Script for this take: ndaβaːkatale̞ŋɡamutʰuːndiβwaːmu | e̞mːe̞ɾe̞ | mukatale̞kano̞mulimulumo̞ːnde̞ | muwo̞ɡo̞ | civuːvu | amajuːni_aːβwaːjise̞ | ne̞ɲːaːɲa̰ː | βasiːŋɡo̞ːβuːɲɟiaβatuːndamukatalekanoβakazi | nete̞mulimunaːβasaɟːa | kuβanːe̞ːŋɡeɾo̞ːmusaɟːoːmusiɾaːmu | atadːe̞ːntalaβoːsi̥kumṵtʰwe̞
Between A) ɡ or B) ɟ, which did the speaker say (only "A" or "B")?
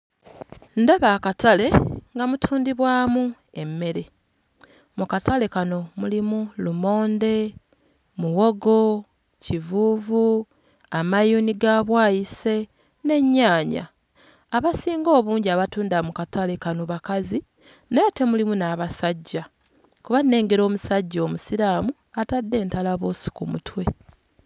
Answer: A